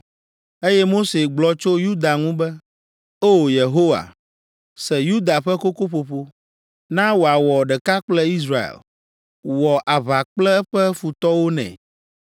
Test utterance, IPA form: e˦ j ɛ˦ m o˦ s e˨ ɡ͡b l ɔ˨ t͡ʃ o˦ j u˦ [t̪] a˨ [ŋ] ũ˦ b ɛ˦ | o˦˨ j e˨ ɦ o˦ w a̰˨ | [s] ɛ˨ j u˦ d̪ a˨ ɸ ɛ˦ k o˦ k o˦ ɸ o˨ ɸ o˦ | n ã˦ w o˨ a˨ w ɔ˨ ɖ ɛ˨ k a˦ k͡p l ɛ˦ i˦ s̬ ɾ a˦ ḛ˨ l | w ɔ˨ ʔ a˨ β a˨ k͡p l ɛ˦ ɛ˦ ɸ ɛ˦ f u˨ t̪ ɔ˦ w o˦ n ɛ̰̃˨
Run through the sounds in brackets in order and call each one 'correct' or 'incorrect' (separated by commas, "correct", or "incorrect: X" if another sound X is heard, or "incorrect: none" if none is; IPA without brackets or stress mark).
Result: incorrect: d̪, correct, correct